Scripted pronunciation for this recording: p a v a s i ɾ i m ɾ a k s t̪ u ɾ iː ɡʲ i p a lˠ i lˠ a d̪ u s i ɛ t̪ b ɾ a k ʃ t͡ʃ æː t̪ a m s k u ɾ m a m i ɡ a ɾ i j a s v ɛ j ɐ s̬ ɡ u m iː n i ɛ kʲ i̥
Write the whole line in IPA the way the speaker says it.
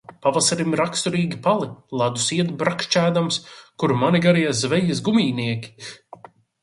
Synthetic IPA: p a v a s a ɾ i m ɾ a k s t̪ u ɾ iː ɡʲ i p a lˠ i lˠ a d̪ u s i ɛ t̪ b ɾ a k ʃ t͡ʃ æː d̪ a m s k u ɾ m a n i ɡ a ɾ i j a z v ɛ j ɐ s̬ ɡ u m iː n i ɛ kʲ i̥